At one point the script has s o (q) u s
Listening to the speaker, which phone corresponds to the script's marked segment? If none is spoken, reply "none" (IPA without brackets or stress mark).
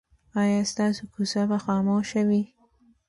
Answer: k